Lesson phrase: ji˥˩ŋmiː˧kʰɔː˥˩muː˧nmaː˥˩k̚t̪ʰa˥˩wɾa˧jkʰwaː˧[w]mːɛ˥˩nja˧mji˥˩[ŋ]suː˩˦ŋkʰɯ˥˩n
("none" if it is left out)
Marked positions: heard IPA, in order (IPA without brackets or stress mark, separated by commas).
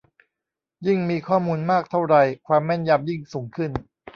none, ŋ